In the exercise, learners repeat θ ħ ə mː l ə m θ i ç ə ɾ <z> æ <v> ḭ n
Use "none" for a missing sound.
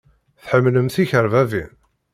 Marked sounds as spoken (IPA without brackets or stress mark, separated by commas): v, v